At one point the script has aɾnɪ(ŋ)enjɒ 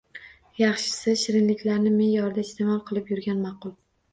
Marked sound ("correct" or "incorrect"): incorrect